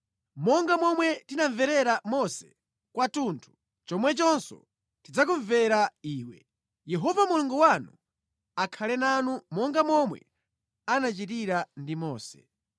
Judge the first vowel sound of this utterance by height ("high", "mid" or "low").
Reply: mid